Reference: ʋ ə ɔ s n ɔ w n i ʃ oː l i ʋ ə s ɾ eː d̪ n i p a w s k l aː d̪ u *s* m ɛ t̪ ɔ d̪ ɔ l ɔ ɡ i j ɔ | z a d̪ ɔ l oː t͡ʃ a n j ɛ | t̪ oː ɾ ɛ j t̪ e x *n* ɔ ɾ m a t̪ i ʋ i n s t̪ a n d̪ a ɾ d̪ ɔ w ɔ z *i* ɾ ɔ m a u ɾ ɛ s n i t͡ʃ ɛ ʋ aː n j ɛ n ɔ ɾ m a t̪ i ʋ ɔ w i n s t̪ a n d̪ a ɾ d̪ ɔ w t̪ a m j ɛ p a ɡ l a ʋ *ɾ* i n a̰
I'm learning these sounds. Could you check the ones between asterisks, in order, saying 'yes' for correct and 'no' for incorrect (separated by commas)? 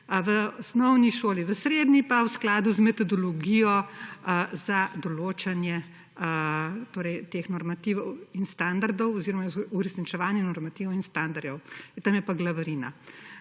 no, yes, yes, yes